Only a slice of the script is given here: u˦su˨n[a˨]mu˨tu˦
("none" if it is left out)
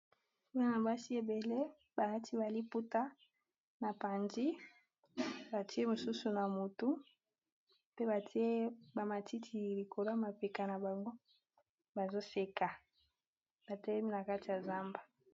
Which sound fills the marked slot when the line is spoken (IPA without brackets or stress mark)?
a˨